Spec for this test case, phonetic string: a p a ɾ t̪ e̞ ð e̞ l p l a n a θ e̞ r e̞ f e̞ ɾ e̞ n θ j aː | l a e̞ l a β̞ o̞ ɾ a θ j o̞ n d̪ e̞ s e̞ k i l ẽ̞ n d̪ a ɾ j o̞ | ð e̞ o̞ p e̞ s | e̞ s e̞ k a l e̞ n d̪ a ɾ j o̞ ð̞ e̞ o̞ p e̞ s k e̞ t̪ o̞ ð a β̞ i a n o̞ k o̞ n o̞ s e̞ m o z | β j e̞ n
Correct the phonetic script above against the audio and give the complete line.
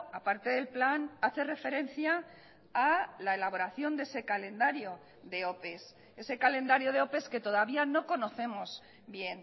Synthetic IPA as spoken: a p a ɾ t̪ e̞ ð e̞ l p l a n a θ e̞ r e̞ f e̞ ɾ e̞ n θ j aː | l a e̞ l a β̞ o̞ ɾ a θ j o̞ n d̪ e̞ s e̞ k a l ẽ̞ n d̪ a ɾ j o̞ | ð e̞ o̞ p e̞ s | e̞ s e̞ k a l e̞ n d̪ a ɾ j o̞ ð̞ e̞ o̞ p e̞ s k e̞ t̪ o̞ ð a β̞ i a n o̞ k o̞ n o̞ θ e̞ m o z | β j e̞ n